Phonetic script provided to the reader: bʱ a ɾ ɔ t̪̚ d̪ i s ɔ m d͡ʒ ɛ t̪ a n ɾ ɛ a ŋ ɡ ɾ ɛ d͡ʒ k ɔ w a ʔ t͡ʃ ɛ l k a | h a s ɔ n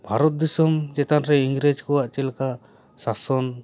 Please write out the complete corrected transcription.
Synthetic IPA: bʱ a ɾ ɔ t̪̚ d̪ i s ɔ m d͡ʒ ɛ t̪ a n ɾ ɛ i ŋ ɡ ɾ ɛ d͡ʒ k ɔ w a ʔ t͡ʃ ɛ l k a | s a s ɔ n